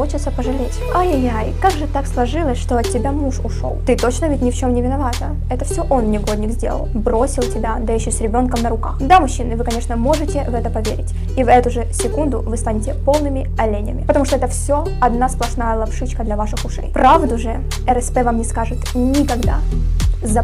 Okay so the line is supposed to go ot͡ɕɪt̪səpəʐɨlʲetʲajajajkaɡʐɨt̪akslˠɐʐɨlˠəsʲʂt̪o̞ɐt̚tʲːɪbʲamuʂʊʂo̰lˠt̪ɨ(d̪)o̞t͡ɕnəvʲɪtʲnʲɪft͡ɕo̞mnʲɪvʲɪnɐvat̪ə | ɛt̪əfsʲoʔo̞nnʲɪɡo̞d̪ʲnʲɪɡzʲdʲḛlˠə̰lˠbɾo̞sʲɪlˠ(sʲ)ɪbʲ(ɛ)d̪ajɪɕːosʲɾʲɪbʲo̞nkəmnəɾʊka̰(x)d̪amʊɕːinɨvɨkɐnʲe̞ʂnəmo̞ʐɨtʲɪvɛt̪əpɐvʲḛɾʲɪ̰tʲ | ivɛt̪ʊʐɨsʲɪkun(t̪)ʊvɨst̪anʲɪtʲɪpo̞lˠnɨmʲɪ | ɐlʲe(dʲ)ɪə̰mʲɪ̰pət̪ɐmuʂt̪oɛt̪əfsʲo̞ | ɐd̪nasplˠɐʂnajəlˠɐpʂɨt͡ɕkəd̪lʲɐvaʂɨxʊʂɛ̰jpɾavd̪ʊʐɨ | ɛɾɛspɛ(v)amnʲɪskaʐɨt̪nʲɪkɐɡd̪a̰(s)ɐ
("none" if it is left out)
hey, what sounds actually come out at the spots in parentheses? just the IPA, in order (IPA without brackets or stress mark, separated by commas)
t̪, tʲ, a, x, d̪, nʲ, v, z